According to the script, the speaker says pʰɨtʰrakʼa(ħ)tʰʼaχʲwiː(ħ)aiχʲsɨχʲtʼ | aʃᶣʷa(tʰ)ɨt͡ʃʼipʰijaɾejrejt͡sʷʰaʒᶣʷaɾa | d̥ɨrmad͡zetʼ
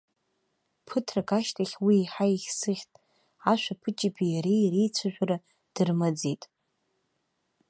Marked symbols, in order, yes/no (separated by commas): no, yes, no